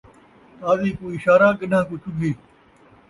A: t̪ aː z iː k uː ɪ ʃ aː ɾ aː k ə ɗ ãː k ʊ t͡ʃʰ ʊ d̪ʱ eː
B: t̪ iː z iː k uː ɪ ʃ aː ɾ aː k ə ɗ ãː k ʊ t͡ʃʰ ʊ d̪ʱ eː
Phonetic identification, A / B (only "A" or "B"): A